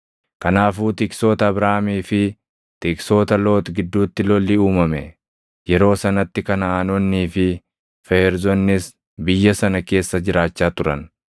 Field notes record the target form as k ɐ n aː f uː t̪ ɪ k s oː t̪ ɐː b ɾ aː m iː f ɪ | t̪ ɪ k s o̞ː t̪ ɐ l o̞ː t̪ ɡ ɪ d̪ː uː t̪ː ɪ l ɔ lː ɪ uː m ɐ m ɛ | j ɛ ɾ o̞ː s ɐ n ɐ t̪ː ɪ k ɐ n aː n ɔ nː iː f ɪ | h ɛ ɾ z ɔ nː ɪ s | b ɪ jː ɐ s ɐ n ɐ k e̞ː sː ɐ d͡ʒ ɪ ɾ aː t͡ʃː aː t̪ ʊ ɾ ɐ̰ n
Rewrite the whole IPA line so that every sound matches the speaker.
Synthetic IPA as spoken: k ɐ n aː f uː t̪ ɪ k s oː t̪ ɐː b ɾ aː m iː f ɪ | t̪ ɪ k s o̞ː t̪ ɐ l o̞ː t̪ ɡ ɪ d̪ː uː t̪ː ɪ l ɔ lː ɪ uː m ɐ m ɛ | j ɛ ɾ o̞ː s ɐ n ɐ t̪ː ɪ k ɐ n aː n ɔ nː iː f ɪ | f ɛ ɾ z ɔ nː ɪ s | b ɪ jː ɐ s ɐ n ɐ k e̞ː sː ɐ d͡ʒ ɪ ɾ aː t͡ʃː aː t̪ ʊ ɾ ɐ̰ n